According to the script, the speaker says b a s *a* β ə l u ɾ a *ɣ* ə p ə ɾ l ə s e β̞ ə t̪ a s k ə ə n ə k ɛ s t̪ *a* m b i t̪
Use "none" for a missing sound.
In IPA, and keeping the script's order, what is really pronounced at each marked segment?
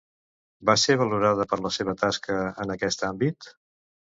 e, ð, a

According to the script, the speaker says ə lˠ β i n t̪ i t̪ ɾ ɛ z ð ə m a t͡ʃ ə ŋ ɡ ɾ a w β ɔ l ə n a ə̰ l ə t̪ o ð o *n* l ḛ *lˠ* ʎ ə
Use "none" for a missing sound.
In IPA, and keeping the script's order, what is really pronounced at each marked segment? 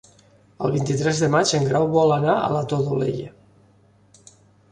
none, none

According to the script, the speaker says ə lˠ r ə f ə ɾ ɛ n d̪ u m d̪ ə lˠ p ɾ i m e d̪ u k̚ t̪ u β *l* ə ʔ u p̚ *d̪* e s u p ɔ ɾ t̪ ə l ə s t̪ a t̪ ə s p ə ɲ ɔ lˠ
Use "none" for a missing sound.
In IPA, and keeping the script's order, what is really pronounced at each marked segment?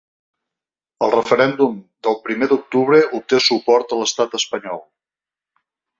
ɾ, t̪

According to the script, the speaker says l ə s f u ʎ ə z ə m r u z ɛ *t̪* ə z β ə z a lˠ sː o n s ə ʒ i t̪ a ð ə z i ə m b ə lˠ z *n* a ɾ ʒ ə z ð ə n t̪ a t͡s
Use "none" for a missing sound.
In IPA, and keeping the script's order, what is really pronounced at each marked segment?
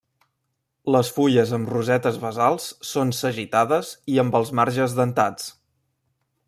t̪, m

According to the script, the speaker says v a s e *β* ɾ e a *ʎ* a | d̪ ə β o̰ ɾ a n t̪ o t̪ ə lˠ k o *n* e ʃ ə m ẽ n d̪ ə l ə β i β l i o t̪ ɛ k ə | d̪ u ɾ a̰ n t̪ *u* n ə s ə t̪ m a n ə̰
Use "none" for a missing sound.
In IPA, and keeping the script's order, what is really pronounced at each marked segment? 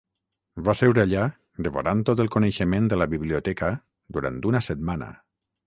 w, ʎ, n, u

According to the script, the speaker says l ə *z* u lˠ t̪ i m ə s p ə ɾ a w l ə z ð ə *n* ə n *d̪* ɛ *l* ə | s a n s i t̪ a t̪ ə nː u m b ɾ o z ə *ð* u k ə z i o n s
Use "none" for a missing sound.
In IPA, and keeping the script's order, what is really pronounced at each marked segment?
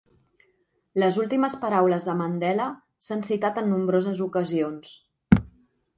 z, m, d̪, l, z

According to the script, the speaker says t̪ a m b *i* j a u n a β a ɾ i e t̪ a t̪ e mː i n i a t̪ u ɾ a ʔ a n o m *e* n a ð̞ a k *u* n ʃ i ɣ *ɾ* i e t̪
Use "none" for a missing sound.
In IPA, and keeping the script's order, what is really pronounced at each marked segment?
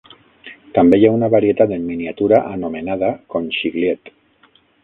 e, e, o, l

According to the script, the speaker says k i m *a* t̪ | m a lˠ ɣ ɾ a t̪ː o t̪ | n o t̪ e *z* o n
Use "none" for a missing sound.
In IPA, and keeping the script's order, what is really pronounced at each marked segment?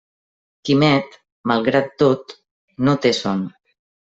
ɛ, s

